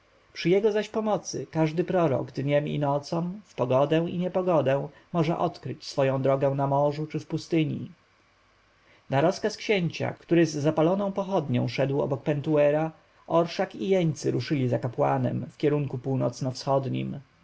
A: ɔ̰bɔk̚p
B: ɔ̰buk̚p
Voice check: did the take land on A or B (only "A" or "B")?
A